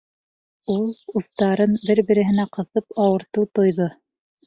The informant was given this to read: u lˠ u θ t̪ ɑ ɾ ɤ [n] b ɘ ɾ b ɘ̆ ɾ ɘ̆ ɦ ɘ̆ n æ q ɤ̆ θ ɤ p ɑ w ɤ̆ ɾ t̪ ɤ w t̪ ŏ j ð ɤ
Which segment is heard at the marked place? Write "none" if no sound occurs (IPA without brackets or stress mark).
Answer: n